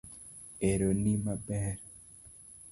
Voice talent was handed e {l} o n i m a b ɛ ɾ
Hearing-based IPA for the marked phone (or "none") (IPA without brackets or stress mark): ɾ